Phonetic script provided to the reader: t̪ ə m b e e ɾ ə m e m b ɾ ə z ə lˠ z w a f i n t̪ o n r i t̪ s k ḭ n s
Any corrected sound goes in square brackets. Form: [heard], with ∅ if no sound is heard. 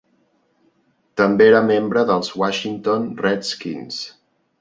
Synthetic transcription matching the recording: t̪ ə m b e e ɾ ə m e m b ɾ ə [ð] ə lˠ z w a [ʃ] i n t̪ o n r [ɛ] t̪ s k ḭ n s